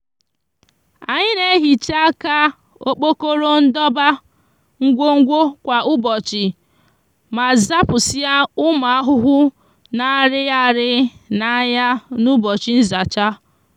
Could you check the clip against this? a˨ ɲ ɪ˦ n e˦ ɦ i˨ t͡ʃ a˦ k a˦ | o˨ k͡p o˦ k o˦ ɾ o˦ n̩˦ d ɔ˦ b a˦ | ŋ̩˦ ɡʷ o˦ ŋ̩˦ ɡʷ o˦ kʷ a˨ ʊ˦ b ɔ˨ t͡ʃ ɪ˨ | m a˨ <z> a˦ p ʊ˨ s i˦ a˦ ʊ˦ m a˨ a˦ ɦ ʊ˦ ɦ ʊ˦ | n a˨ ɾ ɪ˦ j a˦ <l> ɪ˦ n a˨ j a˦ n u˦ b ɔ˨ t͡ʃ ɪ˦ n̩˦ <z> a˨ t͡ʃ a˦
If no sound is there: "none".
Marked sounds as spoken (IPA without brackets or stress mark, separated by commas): z, ɾ, z